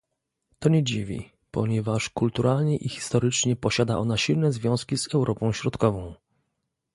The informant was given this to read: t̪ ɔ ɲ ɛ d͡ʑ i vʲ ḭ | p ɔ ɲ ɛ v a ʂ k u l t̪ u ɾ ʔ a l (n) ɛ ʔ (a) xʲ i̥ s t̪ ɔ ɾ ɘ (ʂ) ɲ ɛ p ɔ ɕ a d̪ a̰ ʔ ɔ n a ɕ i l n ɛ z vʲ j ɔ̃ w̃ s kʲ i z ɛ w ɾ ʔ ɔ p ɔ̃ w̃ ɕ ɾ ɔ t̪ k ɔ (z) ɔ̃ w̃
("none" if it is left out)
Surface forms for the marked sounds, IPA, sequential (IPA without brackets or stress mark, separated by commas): ɲ, i, t͡ʂ, v